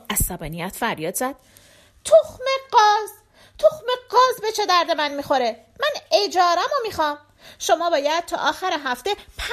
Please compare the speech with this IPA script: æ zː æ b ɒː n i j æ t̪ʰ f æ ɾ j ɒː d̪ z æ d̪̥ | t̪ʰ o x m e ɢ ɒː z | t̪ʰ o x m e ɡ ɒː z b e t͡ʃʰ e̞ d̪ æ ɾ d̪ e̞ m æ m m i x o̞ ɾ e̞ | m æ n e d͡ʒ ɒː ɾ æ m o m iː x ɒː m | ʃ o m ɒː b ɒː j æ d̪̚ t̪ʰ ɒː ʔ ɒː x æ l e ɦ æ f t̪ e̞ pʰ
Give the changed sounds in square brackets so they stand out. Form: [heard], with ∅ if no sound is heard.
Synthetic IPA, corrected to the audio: æ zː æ b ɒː n i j æ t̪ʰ f æ ɾ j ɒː d̪ z æ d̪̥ | t̪ʰ o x m e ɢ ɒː z | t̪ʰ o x m e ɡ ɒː z b e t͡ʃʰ e̞ d̪ æ ɾ d̪ e̞ m æ [n] m i x o̞ ɾ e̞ | m æ n e d͡ʒ ɒː ɾ æ m o m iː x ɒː m | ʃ o m ɒː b ɒː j æ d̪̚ t̪ʰ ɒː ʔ ɒː x æ [ɾ] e ɦ æ f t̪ e̞ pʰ